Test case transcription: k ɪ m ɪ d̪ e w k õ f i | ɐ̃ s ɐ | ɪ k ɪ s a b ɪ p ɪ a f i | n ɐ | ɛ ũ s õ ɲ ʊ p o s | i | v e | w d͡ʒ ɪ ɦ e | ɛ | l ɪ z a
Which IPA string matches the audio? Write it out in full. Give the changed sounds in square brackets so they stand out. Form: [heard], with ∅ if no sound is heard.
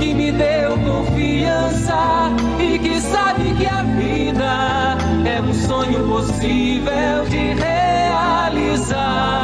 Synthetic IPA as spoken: k ɪ m ɪ d̪ e w k õ f i | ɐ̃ s ɐ | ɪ k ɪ s a b ɪ [k] ɪ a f i | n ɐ | ɛ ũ s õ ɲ ʊ p o s | i | v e | w d͡ʒ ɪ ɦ e | [a] | l [i] z a